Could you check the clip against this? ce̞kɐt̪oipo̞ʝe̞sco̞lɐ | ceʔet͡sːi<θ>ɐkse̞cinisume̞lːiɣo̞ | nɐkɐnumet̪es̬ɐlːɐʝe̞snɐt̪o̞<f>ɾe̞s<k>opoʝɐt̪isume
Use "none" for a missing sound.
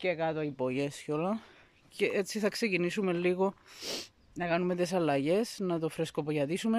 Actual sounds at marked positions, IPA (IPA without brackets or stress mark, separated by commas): θ, f, k